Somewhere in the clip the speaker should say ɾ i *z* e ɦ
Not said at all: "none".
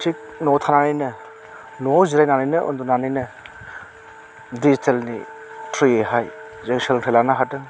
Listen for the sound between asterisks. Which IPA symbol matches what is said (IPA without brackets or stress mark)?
none